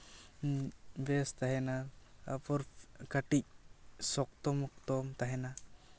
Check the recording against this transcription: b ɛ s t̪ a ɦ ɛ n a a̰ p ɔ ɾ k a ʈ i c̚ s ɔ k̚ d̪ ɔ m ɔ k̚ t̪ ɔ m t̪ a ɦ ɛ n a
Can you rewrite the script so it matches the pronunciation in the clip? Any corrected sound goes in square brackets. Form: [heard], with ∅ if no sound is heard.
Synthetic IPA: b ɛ s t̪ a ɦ ɛ n a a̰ p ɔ ɾ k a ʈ i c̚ s ɔ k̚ [t̪] ɔ m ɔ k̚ t̪ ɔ m t̪ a ɦ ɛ n a